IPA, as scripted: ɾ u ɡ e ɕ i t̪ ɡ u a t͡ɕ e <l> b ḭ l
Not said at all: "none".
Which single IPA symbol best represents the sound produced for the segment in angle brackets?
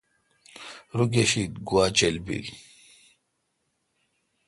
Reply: l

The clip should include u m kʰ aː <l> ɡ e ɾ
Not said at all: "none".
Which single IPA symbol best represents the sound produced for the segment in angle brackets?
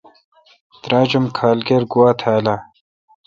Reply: l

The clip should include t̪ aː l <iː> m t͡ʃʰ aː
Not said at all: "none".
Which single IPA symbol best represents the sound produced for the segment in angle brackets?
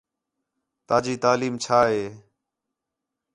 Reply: iː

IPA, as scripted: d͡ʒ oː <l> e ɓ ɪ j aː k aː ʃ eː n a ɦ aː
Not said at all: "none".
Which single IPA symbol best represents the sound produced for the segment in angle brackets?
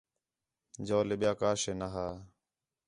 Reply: l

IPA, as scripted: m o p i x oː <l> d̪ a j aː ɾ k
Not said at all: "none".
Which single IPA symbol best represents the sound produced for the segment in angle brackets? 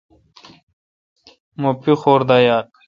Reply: ɾ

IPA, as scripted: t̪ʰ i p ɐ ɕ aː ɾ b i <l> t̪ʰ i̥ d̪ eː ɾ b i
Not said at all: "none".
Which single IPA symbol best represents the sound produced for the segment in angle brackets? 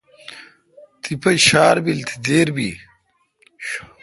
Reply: l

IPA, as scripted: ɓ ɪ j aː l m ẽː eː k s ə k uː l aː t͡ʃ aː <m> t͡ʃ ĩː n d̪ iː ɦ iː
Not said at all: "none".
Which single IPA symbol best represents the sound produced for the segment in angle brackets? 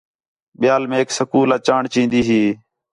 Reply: ɳ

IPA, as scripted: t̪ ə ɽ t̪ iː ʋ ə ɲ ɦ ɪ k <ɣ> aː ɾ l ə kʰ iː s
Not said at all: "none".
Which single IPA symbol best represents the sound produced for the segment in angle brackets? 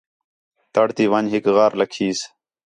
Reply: ɣ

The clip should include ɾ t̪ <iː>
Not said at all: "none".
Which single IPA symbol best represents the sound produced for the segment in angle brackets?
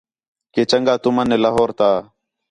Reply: aː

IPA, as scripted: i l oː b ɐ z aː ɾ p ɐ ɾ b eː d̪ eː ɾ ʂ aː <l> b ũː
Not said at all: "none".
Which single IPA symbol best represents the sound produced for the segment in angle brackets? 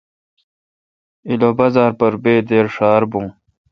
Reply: ɾ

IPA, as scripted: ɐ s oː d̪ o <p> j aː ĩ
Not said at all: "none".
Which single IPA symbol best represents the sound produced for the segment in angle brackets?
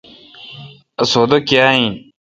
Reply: k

